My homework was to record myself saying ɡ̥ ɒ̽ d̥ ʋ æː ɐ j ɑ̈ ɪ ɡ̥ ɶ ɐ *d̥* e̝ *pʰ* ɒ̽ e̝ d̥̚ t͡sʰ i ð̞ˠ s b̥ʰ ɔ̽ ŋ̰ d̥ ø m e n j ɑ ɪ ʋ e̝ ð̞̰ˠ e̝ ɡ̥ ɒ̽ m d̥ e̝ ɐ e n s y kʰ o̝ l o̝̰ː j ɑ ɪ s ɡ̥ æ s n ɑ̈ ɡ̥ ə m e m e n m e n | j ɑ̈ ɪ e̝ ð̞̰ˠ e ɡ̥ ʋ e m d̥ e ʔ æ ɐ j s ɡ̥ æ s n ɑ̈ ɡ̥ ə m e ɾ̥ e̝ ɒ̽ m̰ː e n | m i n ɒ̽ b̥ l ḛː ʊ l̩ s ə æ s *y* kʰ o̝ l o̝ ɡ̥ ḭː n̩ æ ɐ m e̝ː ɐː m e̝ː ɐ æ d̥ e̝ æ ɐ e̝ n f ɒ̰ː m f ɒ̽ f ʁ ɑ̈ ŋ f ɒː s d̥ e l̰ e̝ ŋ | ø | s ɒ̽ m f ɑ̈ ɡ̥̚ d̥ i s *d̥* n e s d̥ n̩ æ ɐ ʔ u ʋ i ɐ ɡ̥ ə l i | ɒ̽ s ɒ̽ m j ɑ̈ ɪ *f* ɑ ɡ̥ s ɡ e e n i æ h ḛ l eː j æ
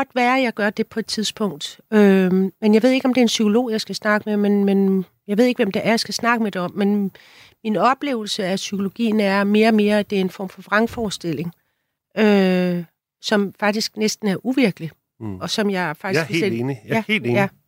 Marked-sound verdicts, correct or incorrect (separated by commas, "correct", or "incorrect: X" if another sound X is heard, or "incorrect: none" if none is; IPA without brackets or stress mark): correct, correct, correct, incorrect: ɡ̥, correct